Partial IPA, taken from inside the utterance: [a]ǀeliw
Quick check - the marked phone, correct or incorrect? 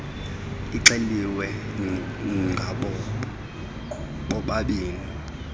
incorrect